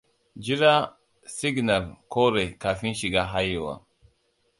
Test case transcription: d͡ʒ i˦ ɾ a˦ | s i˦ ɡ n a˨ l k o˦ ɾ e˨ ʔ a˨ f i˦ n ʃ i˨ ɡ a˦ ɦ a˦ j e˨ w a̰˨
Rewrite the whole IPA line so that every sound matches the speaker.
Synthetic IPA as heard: d͡ʒ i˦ ɾ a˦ | s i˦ ɡ n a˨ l k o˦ ɾ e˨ k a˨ f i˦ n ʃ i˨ ɡ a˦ ɦ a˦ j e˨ w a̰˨